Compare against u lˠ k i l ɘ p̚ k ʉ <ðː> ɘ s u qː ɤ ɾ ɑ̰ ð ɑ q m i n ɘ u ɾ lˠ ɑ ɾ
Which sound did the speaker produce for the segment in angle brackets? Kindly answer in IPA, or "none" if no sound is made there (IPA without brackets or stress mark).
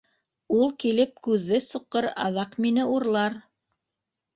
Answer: ðː